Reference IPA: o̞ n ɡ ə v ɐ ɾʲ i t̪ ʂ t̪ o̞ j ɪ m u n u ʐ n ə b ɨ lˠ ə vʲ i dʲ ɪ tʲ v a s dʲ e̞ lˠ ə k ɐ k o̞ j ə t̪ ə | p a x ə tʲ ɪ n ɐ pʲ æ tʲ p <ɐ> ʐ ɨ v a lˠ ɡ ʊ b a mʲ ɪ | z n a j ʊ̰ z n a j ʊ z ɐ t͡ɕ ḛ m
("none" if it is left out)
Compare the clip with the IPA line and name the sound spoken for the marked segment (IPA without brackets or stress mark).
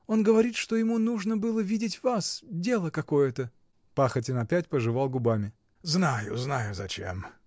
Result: ə